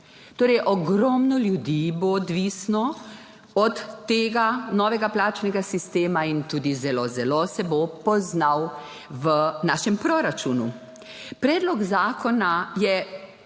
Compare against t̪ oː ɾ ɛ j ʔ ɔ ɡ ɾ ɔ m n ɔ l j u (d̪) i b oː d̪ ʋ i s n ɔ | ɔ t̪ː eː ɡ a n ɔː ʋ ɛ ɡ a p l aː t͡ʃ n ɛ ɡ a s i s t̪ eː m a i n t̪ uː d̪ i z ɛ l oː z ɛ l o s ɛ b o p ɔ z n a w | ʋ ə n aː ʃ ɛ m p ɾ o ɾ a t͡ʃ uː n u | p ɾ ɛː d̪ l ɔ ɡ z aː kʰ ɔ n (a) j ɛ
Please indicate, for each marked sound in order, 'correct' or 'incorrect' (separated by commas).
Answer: correct, correct